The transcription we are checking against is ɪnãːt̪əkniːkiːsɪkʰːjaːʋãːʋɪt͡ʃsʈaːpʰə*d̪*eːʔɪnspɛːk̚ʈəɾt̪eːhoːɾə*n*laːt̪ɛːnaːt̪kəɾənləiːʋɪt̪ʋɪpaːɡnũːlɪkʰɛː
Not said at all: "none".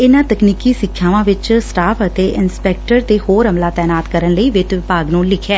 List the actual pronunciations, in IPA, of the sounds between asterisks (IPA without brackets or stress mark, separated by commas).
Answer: t̪, m